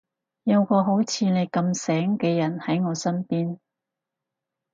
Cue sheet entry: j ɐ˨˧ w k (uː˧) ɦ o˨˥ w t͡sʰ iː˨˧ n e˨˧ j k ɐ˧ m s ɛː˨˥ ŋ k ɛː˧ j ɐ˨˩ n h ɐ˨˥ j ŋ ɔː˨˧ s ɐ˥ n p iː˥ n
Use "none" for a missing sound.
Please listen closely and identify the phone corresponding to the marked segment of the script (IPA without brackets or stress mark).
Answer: ɔː˧